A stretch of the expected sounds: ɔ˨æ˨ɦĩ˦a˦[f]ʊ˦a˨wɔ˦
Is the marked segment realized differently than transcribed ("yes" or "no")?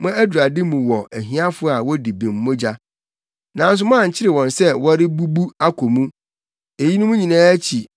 no